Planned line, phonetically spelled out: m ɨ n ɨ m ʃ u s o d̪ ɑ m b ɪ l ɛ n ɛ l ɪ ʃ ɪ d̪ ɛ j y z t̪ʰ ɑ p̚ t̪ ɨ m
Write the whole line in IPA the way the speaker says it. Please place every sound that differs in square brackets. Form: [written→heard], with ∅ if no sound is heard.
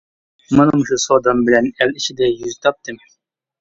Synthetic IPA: m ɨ n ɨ m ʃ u s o d̪ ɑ m b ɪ l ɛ n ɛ l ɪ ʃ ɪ d̪ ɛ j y z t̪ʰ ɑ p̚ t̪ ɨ m